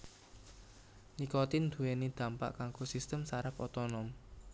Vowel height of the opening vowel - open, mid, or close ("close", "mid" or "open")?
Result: close